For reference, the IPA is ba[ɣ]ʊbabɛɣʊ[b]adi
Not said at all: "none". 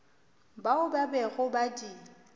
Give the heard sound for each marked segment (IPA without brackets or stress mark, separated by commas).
none, b